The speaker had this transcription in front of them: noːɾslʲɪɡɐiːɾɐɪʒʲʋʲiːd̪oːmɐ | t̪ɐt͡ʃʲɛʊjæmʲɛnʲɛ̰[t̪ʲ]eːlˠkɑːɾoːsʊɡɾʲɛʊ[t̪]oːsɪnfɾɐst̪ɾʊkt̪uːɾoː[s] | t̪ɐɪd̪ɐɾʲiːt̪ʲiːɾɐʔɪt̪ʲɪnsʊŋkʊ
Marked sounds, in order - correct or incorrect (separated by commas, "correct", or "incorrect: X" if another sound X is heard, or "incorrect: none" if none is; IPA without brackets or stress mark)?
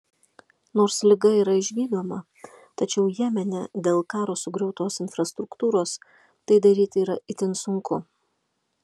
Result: incorrect: d̪ʲ, correct, correct